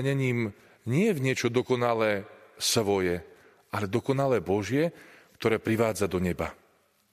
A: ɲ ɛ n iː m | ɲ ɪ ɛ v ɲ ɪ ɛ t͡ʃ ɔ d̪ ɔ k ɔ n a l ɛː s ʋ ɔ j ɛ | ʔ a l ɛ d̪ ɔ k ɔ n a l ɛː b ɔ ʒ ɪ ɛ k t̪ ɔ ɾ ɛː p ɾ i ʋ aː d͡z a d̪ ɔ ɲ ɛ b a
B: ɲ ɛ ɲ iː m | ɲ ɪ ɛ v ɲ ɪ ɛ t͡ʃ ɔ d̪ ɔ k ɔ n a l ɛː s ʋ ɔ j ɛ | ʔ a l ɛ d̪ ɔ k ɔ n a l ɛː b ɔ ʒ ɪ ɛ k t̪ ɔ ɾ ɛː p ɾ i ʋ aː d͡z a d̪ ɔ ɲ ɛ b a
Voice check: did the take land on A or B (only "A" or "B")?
B